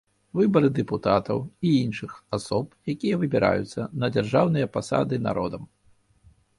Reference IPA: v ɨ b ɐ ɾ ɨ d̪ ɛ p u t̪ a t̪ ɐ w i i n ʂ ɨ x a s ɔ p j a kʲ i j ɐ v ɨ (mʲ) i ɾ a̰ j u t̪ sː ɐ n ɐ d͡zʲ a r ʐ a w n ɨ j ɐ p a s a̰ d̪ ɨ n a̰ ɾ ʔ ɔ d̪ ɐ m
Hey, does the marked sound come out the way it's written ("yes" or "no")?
no